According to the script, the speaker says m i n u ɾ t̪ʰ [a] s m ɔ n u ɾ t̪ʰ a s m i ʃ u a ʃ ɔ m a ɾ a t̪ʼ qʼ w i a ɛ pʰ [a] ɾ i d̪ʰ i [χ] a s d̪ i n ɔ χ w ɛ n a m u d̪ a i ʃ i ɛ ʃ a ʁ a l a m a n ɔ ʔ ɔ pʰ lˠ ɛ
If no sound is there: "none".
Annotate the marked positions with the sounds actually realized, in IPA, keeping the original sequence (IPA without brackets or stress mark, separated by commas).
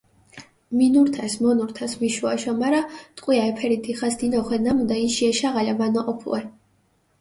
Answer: a, ɛ, χ